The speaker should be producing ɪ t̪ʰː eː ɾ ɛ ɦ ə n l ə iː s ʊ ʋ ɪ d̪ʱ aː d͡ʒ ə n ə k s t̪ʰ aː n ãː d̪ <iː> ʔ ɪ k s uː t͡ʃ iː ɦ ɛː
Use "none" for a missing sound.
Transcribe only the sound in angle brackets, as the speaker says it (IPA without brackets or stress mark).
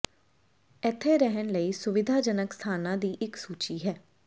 iː